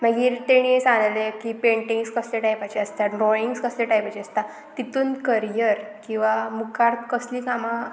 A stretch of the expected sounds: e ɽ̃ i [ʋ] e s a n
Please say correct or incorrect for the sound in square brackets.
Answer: incorrect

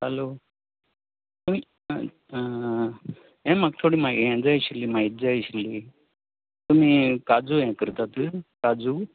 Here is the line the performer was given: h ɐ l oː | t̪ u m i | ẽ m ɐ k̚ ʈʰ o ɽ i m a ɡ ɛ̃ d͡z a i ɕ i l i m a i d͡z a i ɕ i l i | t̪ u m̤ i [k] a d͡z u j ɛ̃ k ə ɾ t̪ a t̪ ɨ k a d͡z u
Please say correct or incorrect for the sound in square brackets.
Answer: correct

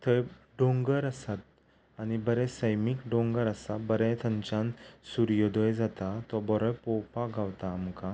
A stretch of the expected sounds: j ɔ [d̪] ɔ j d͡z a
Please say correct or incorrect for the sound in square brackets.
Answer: correct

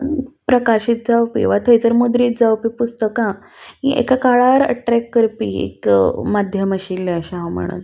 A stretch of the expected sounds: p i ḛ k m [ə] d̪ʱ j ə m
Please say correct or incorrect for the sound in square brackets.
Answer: incorrect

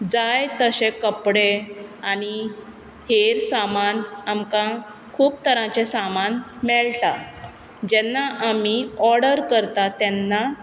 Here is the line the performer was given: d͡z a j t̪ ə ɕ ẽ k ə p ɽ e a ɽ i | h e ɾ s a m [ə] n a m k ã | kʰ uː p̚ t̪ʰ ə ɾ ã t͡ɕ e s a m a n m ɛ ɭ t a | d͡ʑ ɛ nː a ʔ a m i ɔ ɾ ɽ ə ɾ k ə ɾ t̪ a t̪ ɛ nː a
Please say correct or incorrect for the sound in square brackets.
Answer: incorrect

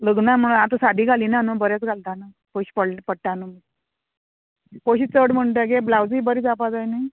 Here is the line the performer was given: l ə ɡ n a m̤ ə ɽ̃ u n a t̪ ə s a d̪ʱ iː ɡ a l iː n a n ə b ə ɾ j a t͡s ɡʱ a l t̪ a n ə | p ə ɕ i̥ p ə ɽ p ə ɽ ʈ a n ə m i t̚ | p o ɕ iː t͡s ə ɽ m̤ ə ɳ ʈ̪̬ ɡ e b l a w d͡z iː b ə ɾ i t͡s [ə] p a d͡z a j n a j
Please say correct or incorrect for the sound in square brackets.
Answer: incorrect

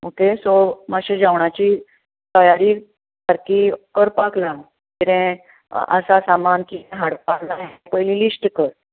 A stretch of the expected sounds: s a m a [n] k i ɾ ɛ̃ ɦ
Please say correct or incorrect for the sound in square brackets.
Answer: correct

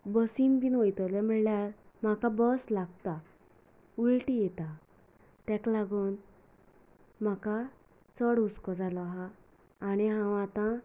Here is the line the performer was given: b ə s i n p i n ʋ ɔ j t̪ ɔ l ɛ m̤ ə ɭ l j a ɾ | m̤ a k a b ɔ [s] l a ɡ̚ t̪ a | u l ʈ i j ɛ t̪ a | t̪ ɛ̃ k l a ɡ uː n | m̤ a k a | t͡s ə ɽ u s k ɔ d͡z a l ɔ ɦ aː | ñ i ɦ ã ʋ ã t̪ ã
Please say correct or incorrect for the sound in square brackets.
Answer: correct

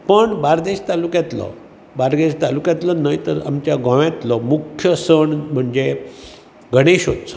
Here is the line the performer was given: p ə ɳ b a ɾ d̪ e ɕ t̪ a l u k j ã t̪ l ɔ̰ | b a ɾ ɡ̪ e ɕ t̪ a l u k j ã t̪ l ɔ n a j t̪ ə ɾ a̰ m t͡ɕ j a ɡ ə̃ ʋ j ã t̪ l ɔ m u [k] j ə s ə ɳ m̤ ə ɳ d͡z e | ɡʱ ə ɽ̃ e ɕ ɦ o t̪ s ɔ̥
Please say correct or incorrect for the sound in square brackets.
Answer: incorrect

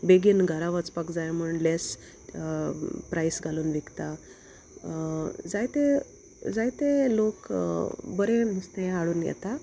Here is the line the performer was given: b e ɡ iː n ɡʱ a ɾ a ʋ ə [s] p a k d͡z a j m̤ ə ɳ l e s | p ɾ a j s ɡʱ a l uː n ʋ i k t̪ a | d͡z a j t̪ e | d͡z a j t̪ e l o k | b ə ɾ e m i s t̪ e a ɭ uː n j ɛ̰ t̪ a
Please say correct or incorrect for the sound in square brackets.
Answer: incorrect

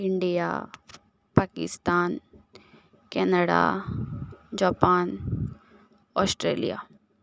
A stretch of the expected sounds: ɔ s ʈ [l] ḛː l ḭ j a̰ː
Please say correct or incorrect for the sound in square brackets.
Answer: incorrect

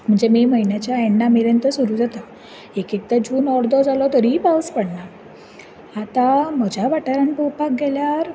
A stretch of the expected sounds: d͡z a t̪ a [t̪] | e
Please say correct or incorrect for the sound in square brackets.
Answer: incorrect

